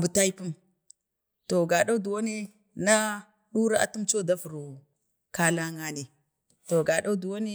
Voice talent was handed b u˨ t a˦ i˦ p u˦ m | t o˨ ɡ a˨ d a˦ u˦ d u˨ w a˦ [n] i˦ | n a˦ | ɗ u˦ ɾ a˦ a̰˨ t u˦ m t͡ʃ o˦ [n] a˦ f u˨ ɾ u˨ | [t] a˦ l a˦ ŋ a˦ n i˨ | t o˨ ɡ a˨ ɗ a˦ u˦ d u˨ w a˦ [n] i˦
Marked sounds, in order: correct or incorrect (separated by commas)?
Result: correct, incorrect, incorrect, correct